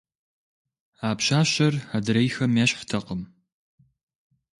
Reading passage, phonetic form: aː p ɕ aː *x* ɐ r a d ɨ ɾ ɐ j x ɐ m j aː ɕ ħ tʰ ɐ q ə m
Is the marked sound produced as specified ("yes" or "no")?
no